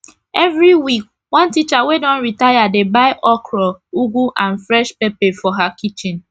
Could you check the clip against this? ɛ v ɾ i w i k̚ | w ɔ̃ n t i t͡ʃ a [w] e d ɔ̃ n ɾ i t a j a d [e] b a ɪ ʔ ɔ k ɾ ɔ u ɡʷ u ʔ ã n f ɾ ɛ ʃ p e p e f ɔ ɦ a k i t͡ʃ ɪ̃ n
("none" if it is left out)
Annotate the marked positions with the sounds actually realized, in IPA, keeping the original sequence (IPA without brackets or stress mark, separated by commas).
w, e